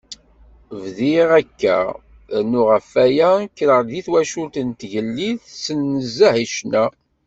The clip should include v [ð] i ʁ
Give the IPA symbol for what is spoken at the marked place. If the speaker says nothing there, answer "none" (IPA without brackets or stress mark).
ð